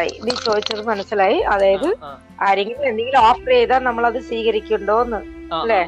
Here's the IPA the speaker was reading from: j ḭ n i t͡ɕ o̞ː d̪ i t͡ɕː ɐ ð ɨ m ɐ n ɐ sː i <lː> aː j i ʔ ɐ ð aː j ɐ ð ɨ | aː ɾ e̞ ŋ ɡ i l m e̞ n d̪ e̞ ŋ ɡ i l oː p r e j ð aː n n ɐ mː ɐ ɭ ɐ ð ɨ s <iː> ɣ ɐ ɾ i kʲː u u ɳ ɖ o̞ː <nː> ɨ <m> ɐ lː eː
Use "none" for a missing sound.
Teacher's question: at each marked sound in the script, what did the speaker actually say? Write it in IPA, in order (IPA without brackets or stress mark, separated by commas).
l, iː, nː, none